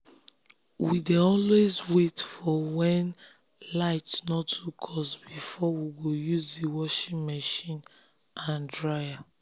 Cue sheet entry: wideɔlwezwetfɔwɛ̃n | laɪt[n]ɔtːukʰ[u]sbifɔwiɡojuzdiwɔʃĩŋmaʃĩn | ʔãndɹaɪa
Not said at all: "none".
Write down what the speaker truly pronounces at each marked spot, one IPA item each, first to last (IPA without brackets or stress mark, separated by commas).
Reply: n, ɔ